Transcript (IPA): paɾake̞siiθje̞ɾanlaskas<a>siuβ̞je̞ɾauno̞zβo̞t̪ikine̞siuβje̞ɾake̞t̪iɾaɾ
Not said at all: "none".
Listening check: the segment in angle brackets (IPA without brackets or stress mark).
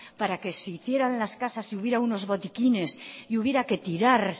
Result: a